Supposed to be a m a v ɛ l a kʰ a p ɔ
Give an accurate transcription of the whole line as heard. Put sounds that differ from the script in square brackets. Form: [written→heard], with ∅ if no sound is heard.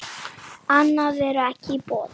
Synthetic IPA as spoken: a [m→n] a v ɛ [l→ɾ] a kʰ [a→i] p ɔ